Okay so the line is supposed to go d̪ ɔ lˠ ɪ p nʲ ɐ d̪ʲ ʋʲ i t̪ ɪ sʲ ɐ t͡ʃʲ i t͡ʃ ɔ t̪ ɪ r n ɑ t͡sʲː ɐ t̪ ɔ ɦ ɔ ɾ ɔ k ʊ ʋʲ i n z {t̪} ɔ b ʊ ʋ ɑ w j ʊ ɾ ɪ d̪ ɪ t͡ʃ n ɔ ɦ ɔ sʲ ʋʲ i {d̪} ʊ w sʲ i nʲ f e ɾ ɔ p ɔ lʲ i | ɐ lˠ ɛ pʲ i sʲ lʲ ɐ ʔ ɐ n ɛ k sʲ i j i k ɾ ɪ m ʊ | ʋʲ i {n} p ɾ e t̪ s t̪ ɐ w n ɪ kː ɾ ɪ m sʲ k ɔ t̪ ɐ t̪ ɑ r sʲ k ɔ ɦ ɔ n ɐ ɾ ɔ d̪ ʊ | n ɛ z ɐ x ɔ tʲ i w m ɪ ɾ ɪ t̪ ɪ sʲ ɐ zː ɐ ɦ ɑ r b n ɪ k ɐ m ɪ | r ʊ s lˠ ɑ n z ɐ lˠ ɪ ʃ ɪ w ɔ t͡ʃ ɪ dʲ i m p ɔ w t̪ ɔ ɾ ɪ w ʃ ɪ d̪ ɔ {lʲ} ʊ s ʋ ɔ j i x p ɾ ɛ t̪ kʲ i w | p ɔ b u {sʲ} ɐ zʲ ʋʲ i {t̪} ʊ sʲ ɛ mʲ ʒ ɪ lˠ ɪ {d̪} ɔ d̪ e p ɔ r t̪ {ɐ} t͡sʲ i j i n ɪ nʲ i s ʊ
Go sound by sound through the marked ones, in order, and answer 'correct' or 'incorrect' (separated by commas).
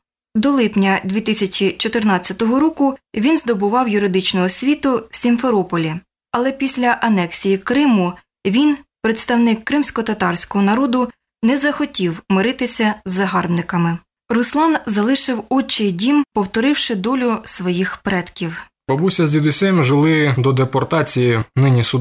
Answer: incorrect, incorrect, correct, correct, correct, incorrect, correct, incorrect